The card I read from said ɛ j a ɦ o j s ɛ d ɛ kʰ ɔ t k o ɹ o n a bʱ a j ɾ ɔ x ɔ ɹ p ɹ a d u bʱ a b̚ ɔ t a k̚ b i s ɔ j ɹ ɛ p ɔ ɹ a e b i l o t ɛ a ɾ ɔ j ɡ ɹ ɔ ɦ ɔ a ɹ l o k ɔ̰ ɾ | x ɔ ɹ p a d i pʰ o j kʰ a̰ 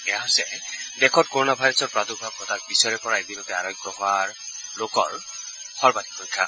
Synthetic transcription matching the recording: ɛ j a ɦ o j s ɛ d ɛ kʰ ɔ t k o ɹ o n a bʱ a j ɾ ɔ s ɔ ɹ p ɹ a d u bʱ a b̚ ɔ t a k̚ b i s ɔ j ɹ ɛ p ɔ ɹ a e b i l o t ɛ a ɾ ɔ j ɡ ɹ ɔ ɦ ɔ a ɹ l o k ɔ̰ ɹ | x ɔ ɹ b a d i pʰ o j kʰ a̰